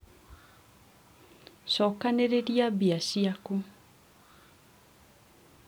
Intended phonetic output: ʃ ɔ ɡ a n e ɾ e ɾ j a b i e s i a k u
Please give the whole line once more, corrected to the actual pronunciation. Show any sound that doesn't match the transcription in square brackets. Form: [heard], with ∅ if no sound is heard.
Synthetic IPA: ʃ ɔ [k] a n e ɾ e ɾ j a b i [a] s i a k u